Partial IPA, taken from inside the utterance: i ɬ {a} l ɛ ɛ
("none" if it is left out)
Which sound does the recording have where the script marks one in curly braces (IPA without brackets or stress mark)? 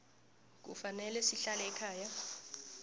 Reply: a